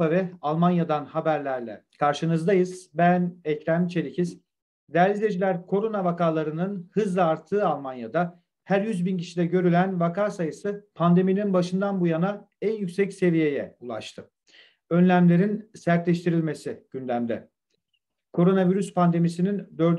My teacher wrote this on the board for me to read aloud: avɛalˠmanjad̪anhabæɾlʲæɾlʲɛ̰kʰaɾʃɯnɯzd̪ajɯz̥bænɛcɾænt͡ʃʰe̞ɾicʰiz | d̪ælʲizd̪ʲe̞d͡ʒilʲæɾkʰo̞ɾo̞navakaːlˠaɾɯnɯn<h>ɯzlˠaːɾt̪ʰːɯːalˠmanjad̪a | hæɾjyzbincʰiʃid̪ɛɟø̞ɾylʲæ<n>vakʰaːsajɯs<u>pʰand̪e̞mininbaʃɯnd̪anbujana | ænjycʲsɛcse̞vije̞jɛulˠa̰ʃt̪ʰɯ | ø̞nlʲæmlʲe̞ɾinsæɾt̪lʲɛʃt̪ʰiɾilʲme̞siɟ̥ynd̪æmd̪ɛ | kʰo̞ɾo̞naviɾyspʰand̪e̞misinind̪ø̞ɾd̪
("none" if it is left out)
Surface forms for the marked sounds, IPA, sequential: h, n, ɯ

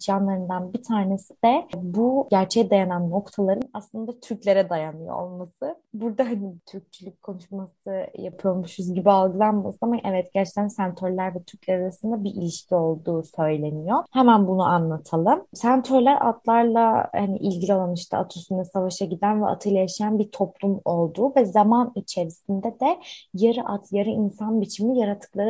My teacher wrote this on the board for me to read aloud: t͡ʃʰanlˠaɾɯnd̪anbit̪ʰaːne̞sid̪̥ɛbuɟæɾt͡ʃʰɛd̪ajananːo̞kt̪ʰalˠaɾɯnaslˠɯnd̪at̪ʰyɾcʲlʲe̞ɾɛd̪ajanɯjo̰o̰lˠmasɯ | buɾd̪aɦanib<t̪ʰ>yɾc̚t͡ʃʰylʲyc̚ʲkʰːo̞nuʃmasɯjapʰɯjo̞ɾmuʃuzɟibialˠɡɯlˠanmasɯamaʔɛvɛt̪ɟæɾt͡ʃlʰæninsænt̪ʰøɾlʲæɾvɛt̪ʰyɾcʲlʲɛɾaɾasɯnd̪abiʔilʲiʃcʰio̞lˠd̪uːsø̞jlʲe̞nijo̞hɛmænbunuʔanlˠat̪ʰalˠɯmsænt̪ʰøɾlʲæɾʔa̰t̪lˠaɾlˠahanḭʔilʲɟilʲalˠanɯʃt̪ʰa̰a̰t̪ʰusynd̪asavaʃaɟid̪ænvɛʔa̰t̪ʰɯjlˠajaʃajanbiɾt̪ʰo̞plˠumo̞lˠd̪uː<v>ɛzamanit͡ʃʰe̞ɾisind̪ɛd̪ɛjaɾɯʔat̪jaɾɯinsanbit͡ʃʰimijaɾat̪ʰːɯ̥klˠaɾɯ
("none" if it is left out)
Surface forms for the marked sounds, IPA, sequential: t̪ʰ, v

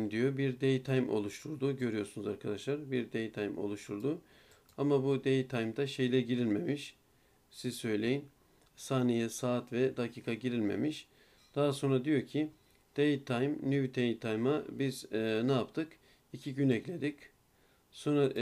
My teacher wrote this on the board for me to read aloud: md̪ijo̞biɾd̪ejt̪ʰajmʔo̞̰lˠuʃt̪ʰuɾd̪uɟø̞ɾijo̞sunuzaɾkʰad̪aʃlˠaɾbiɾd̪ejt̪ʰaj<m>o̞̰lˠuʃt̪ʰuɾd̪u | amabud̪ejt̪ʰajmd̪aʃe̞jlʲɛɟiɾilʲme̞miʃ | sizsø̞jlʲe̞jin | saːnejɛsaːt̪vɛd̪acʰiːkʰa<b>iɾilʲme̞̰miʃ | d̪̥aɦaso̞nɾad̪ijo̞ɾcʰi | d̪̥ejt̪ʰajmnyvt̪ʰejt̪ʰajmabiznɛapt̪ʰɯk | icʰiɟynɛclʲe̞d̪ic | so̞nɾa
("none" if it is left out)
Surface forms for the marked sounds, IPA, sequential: m, ɟ

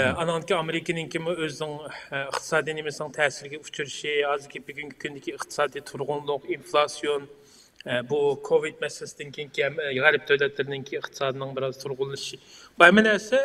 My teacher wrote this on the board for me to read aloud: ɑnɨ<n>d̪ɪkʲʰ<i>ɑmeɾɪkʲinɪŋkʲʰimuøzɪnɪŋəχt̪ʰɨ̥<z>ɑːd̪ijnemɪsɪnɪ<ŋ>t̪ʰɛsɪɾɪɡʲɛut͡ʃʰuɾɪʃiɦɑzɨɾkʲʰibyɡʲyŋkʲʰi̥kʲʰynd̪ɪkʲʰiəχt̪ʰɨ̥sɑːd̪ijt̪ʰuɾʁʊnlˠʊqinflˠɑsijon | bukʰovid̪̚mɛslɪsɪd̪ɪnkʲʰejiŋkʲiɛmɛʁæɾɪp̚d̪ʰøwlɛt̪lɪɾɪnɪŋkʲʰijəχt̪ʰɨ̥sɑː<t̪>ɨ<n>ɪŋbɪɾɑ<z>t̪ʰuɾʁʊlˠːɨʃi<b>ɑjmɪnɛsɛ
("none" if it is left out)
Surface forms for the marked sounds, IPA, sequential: ŋ, i, s, ŋ, d̪, n, z, b

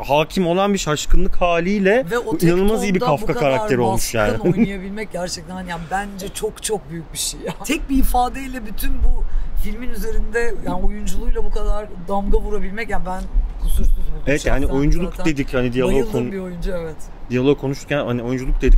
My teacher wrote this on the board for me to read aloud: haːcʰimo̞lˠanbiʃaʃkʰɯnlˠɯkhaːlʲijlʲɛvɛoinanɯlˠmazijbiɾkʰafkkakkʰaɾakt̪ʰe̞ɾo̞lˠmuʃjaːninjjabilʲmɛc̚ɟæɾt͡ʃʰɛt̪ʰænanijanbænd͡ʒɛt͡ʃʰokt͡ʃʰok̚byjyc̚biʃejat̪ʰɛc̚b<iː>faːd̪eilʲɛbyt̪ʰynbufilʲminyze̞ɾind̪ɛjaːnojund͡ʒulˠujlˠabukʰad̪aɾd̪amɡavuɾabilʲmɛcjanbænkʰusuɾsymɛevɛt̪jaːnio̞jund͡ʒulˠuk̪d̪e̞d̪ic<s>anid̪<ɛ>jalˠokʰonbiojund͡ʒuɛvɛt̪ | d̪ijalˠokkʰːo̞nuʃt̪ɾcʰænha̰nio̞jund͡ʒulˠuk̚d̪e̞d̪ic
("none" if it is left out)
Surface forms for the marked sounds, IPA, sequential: iː, h, i

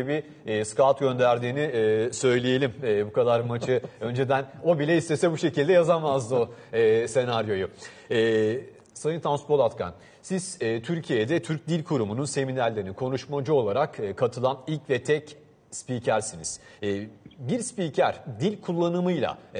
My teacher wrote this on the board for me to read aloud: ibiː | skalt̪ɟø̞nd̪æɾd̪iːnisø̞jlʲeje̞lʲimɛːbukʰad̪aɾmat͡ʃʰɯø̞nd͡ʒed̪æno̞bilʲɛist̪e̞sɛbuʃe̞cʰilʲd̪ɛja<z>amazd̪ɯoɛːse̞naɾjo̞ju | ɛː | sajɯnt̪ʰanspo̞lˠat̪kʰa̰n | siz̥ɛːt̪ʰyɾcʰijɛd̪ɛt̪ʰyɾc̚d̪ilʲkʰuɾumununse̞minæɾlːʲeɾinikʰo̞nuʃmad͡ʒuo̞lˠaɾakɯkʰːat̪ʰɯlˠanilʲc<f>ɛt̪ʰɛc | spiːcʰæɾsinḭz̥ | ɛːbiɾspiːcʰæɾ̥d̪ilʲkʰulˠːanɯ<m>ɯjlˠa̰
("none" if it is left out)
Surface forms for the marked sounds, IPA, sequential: z, v, m

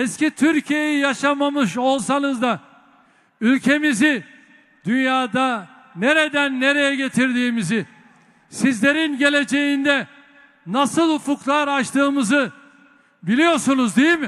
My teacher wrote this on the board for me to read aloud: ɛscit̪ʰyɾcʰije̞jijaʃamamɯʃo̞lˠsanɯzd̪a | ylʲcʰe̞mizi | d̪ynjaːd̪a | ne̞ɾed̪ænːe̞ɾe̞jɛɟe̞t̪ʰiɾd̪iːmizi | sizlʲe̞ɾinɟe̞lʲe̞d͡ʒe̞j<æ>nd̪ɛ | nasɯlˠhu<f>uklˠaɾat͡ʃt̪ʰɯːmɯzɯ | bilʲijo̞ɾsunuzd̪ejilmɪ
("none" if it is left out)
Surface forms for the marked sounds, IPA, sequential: i, f

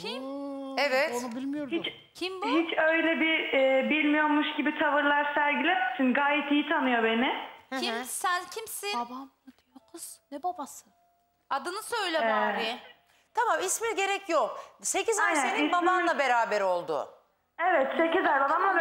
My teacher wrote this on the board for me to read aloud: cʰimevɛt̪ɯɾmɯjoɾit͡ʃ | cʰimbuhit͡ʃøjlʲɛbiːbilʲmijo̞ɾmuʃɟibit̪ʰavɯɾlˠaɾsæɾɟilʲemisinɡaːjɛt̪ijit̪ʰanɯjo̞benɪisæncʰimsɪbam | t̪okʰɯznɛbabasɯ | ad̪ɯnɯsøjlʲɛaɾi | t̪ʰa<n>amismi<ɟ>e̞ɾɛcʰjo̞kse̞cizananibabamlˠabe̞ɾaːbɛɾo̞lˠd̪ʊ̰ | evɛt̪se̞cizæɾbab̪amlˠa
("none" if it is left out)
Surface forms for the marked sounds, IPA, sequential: m, ɟ

